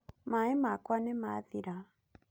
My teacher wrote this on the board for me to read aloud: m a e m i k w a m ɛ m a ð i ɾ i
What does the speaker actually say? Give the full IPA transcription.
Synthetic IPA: m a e m a k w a n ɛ m a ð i ɾ a